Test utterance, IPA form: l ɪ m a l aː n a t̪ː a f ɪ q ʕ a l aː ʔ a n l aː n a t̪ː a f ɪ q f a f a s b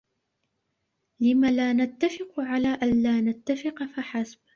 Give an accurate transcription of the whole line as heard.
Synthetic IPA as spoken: l ɪ m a l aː n a t̪ː a f ɪ q ʕ a l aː ʔ a n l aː n a t̪ː a f ɪ q f a ħ a s b